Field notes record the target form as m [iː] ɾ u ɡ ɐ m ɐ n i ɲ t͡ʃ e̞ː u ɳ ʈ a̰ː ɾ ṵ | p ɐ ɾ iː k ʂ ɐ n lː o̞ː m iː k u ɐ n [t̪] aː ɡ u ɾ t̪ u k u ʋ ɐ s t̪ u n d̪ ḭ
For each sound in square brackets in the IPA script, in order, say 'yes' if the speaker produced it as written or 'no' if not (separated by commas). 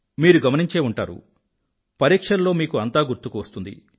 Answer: yes, yes